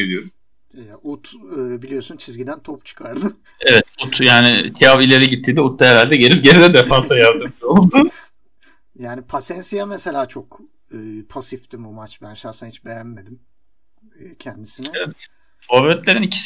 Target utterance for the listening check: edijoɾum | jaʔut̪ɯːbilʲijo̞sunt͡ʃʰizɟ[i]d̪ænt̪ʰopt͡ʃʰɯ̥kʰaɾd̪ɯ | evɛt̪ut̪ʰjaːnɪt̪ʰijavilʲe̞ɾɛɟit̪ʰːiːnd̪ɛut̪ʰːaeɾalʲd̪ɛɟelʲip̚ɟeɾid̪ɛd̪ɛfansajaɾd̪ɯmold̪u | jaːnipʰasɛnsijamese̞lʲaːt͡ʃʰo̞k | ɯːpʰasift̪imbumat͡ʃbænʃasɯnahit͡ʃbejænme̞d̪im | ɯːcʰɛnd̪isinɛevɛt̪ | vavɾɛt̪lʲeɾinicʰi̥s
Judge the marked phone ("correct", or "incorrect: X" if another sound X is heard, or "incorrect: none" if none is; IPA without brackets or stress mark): correct